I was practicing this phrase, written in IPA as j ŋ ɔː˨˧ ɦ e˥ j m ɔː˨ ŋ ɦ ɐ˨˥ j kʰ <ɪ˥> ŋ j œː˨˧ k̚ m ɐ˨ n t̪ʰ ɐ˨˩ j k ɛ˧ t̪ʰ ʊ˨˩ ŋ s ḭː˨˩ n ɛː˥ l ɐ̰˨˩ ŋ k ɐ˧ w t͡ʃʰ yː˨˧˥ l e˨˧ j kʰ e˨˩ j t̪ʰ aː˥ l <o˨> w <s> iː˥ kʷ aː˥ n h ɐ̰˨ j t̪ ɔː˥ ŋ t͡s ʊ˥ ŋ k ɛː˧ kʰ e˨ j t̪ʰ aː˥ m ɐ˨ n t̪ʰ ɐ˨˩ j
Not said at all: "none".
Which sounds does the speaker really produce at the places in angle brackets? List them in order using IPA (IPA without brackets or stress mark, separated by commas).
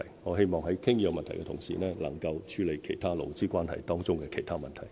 ɪ˥, o˨, t͡s